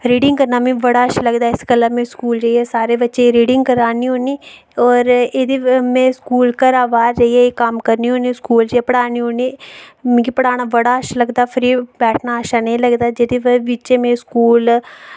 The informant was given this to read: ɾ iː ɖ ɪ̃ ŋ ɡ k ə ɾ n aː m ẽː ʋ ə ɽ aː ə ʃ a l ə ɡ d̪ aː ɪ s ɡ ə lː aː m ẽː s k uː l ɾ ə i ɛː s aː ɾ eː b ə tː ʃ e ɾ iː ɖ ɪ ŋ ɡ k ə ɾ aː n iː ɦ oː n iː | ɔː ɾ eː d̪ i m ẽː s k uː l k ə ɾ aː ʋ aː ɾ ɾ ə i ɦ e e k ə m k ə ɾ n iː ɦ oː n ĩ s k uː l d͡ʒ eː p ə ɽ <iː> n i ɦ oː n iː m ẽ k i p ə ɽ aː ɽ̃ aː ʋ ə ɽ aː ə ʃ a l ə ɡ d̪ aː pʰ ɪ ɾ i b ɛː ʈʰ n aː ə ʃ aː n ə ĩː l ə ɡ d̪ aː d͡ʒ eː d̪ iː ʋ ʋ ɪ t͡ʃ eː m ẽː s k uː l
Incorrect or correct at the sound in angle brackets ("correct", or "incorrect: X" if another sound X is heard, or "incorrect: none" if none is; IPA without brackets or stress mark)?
incorrect: aː